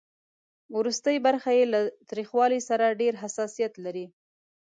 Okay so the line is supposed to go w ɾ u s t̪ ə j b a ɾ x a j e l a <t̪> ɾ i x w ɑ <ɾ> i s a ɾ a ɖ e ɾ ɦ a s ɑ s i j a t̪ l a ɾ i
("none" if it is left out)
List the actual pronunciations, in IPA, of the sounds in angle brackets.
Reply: t̪, l

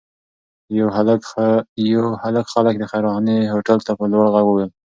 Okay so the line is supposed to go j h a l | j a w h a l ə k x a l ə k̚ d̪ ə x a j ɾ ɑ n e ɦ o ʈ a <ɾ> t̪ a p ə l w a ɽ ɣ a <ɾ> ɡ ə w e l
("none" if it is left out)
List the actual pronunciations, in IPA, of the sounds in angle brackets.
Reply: l, none

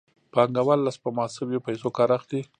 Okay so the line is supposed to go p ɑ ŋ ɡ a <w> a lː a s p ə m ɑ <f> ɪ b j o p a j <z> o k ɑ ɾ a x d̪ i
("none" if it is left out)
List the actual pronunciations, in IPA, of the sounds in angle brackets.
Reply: w, s, s

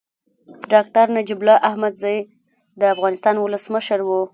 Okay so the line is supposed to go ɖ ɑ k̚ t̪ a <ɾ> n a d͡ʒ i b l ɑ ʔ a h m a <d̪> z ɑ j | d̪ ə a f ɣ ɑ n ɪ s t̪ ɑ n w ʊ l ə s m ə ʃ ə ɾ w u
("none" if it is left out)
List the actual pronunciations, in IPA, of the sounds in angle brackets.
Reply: ɾ, d̪

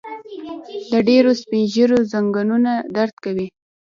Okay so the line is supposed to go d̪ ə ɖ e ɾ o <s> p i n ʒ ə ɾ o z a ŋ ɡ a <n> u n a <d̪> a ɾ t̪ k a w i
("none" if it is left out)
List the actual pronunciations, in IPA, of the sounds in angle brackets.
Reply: s, n, d̪

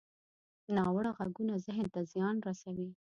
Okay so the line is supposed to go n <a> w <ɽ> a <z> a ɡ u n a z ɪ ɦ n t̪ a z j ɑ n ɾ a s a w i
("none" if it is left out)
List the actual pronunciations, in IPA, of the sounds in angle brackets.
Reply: ɑ, ɽ, ɣ

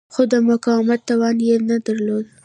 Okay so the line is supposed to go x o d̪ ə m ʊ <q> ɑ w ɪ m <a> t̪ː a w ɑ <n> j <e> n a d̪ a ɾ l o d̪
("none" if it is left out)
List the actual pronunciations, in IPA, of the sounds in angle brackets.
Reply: k, a, n, e

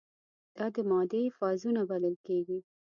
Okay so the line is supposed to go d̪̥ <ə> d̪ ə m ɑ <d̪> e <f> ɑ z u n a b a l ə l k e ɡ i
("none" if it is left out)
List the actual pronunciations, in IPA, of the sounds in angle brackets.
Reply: ɑ, d̪, f

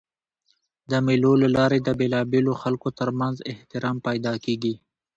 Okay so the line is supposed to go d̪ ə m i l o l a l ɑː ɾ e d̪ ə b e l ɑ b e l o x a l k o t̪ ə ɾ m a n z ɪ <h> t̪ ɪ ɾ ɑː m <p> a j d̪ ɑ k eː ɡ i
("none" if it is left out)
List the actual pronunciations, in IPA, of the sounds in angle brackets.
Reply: h, p

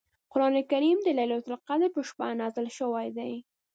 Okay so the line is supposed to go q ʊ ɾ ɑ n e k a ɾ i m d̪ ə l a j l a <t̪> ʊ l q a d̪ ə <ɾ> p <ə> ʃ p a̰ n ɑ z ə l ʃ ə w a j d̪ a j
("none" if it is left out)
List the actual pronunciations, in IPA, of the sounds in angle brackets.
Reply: t̪, ɾ, ə

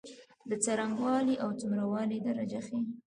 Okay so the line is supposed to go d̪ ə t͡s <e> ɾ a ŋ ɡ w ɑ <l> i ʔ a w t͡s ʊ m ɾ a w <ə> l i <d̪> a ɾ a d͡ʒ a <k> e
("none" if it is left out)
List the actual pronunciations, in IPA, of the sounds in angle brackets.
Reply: a, l, ɑ, d̪, x

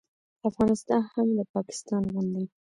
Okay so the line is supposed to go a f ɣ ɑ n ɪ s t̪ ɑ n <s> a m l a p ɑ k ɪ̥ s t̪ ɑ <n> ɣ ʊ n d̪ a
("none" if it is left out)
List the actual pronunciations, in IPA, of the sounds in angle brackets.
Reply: h, n

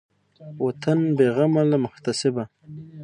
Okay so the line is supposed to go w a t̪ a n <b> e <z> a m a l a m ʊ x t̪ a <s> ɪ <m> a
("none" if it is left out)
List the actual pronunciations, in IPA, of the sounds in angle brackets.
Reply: b, ɣ, s, b

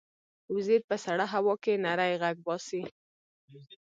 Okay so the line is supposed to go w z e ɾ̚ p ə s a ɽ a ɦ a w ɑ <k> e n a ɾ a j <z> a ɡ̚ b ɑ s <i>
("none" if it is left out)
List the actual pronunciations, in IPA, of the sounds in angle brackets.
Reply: k, ɣ, i

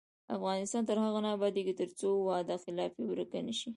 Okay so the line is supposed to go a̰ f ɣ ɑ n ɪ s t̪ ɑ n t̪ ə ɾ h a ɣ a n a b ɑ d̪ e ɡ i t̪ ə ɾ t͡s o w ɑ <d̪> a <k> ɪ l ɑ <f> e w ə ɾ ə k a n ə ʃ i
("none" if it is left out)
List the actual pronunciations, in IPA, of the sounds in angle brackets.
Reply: d̪, x, f

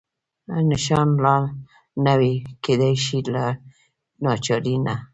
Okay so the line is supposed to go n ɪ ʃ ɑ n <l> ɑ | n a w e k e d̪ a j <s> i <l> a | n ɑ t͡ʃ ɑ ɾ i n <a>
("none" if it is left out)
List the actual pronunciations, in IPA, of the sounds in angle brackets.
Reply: l, ʃ, l, a

